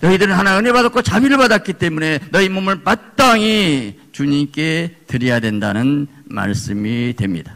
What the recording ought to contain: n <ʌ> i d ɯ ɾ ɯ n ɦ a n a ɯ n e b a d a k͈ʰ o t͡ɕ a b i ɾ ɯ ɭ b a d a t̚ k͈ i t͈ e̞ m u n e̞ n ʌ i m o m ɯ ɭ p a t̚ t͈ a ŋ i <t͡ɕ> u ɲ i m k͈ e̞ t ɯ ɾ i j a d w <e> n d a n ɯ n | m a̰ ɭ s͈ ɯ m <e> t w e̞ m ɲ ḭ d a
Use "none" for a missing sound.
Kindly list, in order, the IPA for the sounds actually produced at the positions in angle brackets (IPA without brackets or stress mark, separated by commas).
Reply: ʌ, t͡ɕ, e, i